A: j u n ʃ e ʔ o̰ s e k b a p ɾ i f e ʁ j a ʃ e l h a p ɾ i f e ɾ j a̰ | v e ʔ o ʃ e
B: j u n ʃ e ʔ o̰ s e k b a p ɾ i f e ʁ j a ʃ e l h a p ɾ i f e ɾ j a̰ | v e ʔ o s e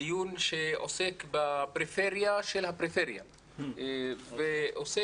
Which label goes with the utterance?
B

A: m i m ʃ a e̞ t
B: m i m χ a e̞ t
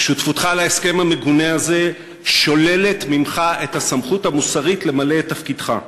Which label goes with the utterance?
B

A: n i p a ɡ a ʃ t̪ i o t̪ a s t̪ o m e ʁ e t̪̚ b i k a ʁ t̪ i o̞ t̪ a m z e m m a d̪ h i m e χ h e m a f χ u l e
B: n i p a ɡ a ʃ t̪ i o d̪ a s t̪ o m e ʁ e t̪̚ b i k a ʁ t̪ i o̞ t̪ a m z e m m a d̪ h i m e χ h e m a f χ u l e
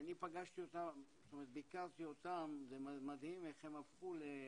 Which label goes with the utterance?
A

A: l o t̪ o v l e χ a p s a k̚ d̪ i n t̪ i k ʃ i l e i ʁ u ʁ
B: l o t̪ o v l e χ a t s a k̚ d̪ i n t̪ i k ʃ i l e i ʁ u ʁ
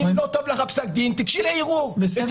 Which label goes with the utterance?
A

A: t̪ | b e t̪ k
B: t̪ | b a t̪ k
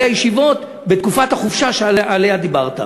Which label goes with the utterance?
A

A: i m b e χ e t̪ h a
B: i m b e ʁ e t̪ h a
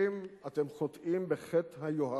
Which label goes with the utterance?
A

